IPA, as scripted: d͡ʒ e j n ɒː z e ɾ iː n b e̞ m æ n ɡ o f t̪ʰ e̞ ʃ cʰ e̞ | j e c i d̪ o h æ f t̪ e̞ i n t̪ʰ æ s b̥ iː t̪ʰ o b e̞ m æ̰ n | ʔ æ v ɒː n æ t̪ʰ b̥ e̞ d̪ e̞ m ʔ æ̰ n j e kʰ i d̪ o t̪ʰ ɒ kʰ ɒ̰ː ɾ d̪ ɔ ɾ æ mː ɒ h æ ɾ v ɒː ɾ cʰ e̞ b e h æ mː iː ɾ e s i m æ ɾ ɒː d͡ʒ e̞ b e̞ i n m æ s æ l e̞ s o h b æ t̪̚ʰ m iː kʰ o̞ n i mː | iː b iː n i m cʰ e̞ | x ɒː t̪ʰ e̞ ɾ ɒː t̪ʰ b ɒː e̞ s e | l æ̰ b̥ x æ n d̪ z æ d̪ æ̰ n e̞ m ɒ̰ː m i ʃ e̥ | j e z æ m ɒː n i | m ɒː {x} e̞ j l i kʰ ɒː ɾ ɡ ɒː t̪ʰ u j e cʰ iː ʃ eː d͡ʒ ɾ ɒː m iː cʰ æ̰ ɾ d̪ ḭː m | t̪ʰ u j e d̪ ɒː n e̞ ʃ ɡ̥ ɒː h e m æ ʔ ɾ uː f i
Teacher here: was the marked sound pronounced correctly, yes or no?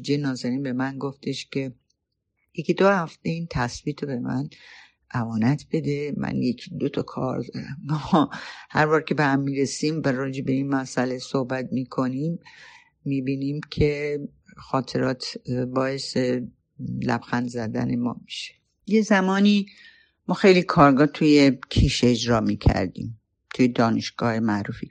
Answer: yes